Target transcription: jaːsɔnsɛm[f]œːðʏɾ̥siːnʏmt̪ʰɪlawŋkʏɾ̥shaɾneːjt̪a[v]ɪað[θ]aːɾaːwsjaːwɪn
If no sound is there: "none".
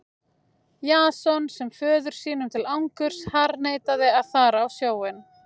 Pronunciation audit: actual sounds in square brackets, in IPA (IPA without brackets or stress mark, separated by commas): f, ð, θ